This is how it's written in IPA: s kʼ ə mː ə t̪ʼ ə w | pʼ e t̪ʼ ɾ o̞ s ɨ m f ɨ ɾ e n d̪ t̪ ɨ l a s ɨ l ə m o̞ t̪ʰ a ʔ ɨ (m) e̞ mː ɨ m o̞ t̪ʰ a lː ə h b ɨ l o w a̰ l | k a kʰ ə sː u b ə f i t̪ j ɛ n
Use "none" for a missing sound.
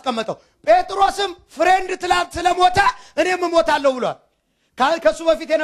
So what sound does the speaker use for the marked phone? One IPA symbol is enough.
n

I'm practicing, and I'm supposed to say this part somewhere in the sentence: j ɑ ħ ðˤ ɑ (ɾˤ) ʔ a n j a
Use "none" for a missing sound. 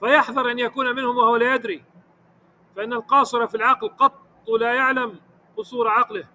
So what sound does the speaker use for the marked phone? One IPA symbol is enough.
ɾˤ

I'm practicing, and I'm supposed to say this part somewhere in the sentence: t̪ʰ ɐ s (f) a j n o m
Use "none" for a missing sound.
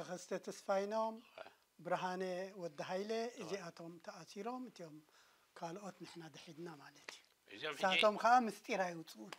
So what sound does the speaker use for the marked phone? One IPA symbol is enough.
f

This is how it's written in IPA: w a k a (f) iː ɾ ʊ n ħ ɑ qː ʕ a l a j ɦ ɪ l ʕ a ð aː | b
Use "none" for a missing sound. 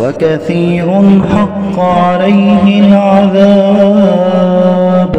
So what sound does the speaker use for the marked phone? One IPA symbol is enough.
θ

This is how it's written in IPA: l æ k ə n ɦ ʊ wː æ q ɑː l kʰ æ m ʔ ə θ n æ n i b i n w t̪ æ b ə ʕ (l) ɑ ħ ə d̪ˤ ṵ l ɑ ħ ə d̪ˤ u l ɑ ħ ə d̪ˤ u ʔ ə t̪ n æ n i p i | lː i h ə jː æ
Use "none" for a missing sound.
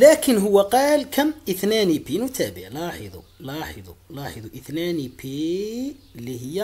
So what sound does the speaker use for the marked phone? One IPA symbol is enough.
l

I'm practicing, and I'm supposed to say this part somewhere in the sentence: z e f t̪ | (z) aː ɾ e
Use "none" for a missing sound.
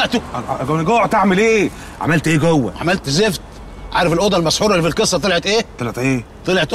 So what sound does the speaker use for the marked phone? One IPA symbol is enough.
ʕ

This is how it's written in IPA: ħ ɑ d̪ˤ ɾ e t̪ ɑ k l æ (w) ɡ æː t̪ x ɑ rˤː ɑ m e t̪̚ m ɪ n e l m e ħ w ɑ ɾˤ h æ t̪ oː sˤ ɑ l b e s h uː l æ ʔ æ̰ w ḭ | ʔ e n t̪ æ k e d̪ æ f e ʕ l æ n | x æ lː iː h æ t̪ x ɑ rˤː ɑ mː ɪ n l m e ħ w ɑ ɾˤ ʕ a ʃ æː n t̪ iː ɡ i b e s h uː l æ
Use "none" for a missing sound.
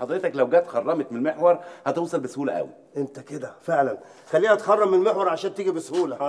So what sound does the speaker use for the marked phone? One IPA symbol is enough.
w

